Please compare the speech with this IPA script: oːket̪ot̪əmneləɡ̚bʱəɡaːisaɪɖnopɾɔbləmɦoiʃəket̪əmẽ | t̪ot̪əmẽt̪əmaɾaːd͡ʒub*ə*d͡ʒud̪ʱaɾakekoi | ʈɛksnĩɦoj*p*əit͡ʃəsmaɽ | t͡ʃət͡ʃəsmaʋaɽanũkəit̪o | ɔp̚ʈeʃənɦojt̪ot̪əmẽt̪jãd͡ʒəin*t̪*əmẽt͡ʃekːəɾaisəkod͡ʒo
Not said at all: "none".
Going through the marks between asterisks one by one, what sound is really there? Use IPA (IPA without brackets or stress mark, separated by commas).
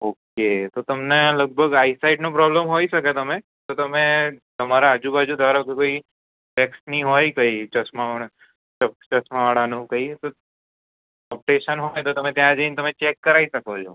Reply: a, k, t̪